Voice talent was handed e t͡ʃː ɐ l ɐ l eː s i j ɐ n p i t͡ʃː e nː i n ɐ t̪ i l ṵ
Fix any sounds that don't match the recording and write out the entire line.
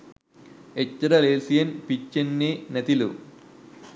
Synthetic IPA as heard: e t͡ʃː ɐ ɾ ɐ l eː s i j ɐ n p i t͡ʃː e nː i n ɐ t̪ i l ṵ